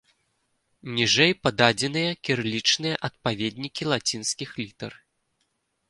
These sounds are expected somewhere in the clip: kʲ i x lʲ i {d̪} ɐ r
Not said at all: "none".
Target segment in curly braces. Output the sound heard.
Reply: t̪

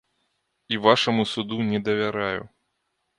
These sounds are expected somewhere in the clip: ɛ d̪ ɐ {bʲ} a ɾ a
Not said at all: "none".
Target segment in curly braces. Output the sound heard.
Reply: vʲ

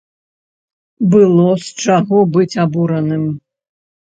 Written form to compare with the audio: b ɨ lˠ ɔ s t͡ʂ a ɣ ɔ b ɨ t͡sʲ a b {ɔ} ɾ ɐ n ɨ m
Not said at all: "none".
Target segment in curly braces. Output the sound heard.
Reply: u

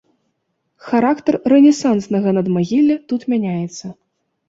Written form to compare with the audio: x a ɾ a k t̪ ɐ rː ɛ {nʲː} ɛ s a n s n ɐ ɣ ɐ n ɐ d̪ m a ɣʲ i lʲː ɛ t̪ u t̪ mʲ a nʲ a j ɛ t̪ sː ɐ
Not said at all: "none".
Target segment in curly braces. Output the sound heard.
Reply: nʲ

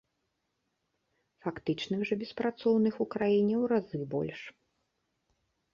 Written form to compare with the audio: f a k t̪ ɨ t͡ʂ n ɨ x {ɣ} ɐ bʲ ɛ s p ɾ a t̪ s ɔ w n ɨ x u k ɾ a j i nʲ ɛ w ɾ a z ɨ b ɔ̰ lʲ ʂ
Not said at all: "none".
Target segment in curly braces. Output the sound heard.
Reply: ʐ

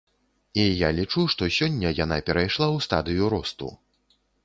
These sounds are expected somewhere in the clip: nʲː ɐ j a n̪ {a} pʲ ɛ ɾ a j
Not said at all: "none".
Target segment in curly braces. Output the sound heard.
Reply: a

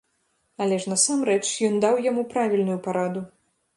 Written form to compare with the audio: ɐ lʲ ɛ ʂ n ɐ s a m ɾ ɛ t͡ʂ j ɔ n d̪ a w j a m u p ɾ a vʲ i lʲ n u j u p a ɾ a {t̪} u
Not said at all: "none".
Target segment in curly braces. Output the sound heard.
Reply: d̪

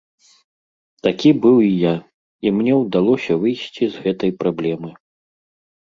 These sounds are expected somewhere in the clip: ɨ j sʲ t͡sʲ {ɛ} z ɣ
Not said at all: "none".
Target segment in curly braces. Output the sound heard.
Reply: i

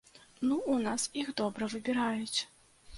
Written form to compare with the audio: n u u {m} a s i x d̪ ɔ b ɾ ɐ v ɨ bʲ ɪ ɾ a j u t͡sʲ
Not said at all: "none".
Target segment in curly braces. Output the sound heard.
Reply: n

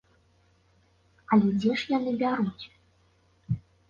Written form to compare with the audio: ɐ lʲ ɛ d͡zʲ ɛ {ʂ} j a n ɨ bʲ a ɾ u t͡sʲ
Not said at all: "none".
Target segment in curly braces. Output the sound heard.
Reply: ʂ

